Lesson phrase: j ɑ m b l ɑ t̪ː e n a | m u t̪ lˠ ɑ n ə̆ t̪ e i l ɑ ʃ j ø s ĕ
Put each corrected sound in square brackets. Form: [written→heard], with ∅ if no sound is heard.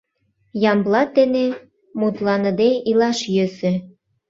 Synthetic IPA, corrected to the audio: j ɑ m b l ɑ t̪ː e n [a→e] | m u t̪ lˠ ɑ n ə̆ [t̪→d̪] e i l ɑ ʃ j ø s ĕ